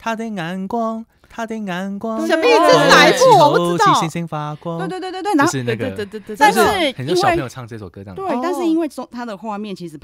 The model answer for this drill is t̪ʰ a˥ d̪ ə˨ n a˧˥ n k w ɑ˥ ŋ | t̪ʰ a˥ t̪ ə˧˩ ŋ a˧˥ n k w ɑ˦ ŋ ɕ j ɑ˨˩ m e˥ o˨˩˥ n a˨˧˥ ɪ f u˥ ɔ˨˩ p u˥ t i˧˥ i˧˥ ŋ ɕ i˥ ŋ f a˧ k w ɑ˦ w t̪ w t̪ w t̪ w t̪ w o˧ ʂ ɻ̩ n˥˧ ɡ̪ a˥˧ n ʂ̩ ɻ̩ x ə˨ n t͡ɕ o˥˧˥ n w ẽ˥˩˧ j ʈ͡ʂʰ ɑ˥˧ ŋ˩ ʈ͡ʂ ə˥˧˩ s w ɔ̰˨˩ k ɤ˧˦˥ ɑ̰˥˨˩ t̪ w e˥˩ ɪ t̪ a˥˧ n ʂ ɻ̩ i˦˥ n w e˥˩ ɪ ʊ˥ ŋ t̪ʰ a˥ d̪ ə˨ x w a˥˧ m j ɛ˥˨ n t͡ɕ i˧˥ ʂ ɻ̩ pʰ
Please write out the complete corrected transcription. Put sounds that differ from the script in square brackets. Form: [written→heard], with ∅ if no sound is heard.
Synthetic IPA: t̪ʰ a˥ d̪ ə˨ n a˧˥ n k w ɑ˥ ŋ | t̪ʰ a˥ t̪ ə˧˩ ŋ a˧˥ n k w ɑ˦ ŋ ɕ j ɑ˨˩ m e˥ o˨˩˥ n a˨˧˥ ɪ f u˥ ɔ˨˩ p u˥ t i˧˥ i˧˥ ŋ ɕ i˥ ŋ f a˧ k w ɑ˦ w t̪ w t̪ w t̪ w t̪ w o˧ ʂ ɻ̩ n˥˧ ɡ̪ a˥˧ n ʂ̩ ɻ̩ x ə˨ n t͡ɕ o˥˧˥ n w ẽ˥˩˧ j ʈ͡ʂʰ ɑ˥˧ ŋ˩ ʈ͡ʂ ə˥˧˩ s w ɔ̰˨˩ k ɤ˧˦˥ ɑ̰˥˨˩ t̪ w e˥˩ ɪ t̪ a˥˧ n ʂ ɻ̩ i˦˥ n w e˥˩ ɪ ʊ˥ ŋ t̪ʰ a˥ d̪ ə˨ x w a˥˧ m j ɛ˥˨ n [t͡ɕ→t͡ɕʰ] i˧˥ ʂ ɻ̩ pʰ